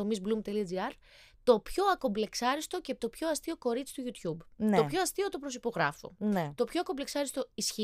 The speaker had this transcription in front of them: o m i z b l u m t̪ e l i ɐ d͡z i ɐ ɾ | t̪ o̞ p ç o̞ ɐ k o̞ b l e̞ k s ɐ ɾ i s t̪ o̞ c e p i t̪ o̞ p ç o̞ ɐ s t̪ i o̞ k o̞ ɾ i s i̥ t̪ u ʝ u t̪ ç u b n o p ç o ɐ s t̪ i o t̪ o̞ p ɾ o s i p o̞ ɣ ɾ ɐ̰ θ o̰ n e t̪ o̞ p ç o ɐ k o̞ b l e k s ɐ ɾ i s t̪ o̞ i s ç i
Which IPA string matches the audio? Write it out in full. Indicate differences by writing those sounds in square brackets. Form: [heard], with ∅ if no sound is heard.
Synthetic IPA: o m i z b l u m t̪ e l i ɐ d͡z i ɐ ɾ | t̪ o̞ p ç o̞ ɐ k o̞ b l e̞ k s ɐ ɾ i s t̪ o̞ c e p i t̪ o̞ p ç o̞ ɐ s t̪ i o̞ k o̞ ɾ i [t͡s] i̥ t̪ u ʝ u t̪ ç u b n o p ç o ɐ s t̪ i o t̪ o̞ p ɾ o s i p o̞ ɣ ɾ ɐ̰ [f] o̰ n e t̪ o̞ p ç o ɐ k o̞ b l e k s ɐ ɾ i s t̪ o̞ i s ç i